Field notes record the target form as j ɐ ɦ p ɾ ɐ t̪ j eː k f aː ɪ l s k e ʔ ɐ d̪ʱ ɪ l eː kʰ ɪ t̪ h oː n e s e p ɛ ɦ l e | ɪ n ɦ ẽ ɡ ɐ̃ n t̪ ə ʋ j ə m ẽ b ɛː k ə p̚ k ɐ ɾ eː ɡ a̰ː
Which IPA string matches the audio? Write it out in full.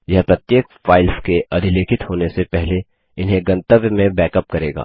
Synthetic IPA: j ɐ ɦ p ɾ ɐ t̪ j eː k f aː ɪ l s k e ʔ ɐ d̪ʱ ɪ l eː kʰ ɪ t̪ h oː n e s e p ɛ ɦ l e | ɪ n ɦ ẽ ɡ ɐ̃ n t̪ ə ʋ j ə m ẽ b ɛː k ə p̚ k ɐ ɾ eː ɡ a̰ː